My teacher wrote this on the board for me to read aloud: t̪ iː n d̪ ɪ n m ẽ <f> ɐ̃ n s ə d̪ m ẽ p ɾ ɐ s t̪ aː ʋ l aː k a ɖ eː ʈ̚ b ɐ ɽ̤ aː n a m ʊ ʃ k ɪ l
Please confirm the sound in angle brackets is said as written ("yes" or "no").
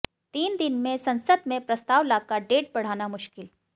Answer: no